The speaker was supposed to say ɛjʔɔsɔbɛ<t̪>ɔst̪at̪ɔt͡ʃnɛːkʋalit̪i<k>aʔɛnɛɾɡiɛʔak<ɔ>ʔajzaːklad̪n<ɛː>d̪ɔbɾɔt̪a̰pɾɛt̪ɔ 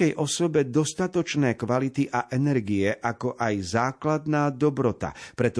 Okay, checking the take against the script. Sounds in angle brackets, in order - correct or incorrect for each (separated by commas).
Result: incorrect, incorrect, correct, incorrect